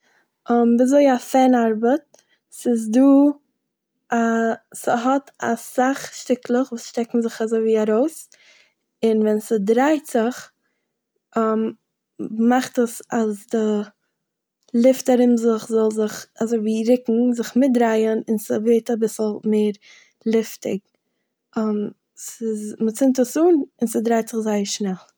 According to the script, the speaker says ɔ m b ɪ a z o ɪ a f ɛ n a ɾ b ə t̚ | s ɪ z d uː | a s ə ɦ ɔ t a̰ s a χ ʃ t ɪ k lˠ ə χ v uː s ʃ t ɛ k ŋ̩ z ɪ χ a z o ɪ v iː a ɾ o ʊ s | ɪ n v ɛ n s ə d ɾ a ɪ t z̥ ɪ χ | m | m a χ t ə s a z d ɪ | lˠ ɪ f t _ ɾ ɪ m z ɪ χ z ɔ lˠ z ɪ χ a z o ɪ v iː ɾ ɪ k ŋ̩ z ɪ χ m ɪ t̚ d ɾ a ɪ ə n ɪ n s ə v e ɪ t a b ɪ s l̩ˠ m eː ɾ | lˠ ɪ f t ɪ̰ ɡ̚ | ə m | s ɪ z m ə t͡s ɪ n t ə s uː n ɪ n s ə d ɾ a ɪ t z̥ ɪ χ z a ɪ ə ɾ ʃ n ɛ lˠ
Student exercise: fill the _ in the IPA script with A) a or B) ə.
A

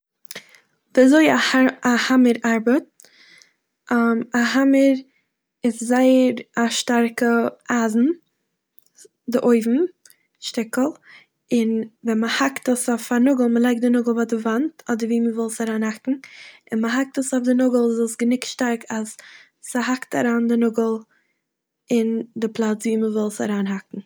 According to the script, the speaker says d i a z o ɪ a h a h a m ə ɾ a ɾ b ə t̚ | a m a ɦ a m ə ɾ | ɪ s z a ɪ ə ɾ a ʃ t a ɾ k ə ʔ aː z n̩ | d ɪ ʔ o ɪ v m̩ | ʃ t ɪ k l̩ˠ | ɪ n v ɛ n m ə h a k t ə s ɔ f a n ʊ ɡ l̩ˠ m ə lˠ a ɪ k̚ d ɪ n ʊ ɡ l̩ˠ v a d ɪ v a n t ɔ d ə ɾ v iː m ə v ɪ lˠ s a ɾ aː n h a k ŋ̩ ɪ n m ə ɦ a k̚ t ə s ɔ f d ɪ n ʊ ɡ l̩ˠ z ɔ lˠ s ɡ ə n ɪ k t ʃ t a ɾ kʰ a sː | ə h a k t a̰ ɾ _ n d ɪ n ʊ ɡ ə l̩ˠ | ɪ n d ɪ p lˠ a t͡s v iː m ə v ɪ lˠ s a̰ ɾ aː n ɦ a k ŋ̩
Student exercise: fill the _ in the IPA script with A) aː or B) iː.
A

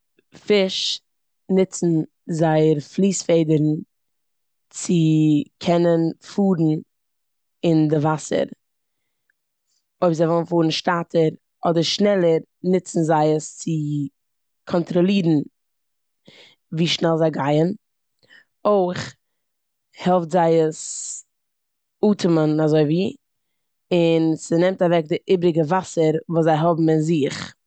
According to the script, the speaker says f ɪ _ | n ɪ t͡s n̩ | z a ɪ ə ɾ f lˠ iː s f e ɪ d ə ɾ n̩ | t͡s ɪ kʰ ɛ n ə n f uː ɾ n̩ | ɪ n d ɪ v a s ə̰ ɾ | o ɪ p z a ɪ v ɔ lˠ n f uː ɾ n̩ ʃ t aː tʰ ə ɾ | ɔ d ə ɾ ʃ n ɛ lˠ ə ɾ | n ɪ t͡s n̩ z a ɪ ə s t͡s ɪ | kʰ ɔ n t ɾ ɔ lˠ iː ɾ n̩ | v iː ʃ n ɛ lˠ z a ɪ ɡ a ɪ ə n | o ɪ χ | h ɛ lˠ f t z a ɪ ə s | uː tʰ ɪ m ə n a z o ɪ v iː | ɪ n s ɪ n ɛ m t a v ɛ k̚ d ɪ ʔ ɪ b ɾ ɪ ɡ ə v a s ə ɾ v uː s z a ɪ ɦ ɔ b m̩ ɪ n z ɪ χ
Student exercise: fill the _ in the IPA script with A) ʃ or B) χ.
A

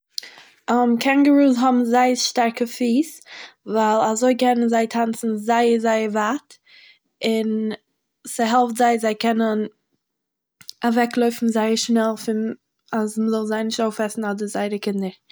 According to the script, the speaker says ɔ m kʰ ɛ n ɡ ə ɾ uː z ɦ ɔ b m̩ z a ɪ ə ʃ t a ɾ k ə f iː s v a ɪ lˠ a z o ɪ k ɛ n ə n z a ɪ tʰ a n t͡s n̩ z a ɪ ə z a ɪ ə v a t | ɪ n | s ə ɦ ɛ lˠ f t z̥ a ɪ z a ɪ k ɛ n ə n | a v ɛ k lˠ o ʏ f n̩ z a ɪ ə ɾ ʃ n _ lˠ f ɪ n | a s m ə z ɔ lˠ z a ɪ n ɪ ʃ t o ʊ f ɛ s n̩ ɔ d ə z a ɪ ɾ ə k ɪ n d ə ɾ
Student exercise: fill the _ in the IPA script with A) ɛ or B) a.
A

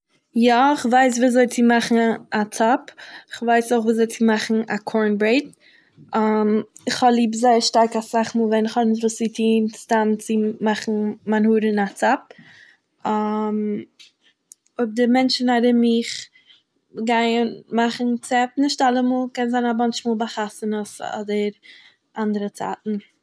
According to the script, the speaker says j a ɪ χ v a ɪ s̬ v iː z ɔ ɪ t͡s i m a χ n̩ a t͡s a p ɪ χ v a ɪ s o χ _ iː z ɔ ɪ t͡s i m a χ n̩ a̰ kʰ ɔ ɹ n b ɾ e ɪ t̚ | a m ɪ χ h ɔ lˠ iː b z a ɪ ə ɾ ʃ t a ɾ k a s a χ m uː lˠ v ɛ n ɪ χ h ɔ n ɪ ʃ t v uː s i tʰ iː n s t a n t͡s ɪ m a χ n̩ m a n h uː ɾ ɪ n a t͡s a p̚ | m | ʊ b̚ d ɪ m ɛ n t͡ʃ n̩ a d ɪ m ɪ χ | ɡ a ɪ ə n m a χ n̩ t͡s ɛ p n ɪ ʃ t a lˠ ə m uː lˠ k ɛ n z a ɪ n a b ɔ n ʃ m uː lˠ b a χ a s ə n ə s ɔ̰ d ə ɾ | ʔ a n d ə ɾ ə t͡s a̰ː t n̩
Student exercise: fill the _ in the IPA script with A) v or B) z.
A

